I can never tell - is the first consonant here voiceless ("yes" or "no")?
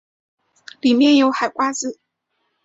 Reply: no